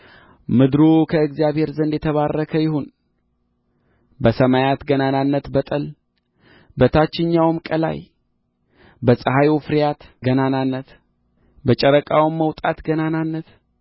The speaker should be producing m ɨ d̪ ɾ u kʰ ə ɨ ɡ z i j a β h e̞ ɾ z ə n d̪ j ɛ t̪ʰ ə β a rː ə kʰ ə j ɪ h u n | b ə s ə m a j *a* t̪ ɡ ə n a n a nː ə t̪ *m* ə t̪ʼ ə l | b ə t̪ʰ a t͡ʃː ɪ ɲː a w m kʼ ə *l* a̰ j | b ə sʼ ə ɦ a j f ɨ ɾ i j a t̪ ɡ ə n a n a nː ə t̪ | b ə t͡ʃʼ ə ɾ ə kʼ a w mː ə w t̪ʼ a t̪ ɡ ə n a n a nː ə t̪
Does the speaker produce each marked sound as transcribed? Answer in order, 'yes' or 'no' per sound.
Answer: yes, no, yes

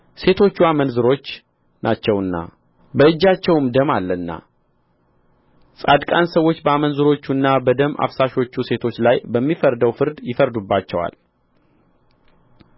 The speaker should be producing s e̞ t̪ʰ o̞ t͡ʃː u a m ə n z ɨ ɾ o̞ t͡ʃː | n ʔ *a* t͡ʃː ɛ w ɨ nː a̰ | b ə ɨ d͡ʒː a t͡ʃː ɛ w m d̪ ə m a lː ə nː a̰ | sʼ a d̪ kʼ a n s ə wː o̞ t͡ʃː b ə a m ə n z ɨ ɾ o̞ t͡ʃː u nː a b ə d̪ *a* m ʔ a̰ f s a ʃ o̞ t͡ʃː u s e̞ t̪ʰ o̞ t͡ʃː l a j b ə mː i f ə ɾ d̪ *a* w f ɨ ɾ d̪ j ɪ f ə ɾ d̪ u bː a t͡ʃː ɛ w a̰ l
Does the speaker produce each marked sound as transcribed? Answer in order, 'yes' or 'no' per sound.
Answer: yes, no, no

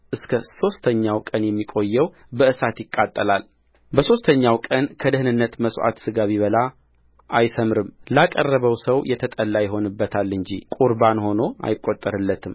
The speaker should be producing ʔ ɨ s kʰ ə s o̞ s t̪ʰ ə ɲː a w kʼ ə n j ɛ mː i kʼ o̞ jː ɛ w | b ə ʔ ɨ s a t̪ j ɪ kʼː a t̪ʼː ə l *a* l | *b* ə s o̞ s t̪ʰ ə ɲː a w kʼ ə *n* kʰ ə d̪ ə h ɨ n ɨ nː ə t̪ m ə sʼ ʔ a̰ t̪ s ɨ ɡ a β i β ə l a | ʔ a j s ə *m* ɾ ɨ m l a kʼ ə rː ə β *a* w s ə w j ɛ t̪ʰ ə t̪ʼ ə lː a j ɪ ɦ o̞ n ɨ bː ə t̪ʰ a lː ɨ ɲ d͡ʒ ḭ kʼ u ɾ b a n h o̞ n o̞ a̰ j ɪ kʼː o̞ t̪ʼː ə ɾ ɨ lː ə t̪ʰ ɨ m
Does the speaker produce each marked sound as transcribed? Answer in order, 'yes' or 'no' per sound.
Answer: yes, yes, yes, yes, no

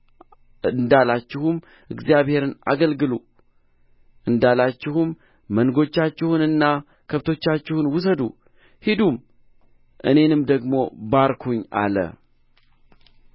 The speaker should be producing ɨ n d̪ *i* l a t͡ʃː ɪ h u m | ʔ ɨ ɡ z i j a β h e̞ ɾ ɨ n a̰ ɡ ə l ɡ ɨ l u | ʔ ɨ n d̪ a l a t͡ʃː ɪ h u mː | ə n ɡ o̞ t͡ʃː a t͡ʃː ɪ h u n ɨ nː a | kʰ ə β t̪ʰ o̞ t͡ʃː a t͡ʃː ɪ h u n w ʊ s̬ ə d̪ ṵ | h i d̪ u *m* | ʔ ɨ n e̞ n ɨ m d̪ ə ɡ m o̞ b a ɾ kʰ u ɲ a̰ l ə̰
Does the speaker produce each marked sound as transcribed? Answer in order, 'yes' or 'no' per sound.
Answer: no, yes

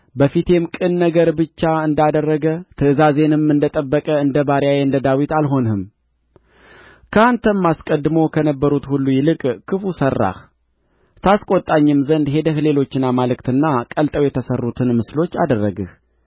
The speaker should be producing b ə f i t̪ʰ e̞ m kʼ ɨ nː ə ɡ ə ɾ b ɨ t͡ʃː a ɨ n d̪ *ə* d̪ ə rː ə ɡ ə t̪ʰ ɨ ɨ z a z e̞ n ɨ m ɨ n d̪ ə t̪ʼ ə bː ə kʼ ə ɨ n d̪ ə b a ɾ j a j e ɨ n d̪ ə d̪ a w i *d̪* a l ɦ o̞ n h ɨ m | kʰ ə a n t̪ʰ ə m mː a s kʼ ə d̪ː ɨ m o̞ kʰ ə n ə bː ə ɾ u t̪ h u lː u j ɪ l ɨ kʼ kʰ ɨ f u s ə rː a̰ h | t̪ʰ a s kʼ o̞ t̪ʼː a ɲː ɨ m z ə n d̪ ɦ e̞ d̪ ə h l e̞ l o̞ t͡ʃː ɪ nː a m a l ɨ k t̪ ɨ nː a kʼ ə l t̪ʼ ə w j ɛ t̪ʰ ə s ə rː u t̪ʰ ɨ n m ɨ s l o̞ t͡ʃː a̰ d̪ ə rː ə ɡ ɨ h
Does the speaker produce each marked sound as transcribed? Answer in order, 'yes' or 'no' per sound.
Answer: no, no

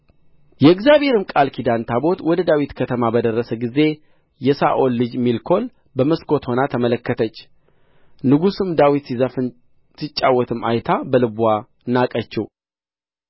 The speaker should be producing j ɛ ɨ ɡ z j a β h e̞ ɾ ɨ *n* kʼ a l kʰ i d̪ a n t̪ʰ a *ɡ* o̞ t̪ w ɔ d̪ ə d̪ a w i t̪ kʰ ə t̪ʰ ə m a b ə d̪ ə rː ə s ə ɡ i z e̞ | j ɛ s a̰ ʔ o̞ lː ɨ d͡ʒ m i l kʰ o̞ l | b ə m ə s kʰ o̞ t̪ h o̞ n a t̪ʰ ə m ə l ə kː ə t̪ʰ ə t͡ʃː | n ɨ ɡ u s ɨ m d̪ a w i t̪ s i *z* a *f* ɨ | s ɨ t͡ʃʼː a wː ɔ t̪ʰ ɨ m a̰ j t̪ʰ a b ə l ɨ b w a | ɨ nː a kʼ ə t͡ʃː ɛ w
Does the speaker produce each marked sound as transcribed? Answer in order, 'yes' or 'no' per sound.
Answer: no, no, yes, yes

